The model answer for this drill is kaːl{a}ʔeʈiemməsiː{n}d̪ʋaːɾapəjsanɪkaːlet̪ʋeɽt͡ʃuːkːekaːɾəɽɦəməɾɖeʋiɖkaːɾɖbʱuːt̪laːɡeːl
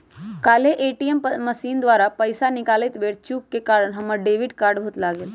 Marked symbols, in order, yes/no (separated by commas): no, yes